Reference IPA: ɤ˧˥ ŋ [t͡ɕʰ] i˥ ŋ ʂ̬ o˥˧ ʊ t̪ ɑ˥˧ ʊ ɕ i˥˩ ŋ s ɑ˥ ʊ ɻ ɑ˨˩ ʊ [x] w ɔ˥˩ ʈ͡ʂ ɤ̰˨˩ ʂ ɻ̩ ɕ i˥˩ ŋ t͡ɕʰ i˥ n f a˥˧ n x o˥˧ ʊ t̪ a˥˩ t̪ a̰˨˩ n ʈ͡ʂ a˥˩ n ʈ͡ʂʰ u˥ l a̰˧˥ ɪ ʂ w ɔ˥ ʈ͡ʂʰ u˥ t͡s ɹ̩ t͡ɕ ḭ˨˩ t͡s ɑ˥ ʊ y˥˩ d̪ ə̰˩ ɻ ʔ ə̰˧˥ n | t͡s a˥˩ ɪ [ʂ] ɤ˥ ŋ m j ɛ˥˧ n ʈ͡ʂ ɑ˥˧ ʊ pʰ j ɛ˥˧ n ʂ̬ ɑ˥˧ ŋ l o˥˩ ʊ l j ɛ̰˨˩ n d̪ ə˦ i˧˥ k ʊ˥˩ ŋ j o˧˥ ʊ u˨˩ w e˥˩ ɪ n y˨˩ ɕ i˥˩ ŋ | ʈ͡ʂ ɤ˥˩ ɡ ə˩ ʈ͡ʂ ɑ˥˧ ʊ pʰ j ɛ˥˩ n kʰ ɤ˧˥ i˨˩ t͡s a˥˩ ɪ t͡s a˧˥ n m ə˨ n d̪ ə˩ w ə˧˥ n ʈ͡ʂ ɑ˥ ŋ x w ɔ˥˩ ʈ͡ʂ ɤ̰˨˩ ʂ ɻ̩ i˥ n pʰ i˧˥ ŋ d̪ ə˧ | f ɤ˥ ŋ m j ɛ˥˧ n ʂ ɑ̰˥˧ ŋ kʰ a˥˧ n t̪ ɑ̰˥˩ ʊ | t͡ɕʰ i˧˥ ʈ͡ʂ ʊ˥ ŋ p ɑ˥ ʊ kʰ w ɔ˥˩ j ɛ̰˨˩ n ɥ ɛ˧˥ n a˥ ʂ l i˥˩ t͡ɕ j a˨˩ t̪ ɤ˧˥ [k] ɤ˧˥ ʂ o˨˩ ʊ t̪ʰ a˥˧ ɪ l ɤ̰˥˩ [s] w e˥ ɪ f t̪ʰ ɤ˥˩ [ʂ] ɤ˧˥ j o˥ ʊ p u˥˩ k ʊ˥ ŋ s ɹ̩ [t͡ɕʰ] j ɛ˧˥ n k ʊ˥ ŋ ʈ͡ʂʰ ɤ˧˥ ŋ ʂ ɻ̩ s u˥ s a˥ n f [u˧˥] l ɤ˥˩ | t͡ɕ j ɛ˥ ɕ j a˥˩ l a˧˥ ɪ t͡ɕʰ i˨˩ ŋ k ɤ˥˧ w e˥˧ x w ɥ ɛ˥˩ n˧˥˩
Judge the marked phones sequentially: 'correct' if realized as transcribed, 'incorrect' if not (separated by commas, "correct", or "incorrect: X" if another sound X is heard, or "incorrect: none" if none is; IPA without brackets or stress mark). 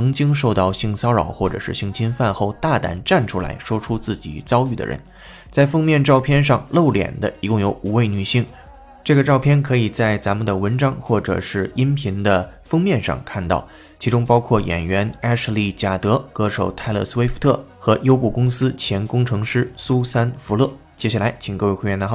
incorrect: t͡ɕ, correct, incorrect: f, correct, correct, incorrect: x, correct, correct